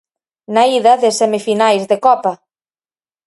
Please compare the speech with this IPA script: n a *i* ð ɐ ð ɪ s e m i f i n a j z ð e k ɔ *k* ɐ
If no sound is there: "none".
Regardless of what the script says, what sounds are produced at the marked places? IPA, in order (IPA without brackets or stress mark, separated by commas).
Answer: i, p